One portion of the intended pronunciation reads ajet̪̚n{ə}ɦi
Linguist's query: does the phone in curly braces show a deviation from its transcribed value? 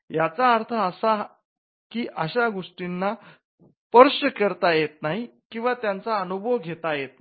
yes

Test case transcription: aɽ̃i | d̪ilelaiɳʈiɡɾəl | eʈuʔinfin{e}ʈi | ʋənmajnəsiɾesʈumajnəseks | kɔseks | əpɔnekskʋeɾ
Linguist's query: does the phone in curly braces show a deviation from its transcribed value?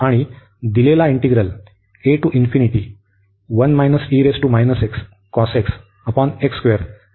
yes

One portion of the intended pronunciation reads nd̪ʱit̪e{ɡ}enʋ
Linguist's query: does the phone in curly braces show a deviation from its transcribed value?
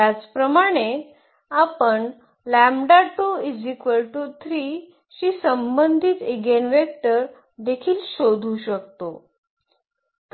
no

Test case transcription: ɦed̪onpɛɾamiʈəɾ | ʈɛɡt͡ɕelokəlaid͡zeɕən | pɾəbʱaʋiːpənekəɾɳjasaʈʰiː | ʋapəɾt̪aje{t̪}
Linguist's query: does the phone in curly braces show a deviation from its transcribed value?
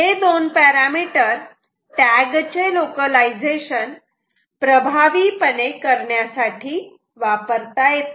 no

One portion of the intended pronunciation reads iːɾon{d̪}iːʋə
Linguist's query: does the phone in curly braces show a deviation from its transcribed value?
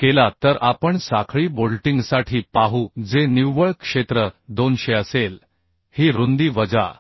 no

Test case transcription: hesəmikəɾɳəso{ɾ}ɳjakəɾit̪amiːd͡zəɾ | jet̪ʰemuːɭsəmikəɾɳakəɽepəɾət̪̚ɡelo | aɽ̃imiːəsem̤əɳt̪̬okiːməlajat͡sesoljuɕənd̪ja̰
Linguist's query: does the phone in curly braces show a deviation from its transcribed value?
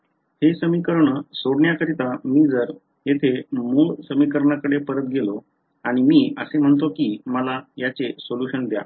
yes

